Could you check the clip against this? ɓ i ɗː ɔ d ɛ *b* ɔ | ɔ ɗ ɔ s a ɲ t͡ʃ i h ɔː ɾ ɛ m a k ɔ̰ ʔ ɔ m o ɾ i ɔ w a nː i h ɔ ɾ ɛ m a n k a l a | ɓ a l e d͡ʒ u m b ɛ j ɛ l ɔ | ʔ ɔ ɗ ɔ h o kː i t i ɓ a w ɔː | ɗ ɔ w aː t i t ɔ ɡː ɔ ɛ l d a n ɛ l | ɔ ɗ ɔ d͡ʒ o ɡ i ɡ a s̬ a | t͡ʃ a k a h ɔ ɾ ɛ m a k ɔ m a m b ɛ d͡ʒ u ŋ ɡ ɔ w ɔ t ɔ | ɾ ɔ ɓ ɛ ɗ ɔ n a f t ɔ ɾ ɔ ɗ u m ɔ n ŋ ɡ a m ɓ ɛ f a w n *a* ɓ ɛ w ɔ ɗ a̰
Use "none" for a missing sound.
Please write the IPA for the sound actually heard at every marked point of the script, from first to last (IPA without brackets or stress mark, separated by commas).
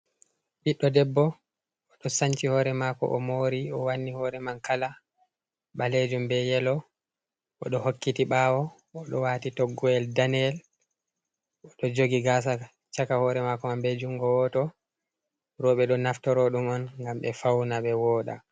bː, a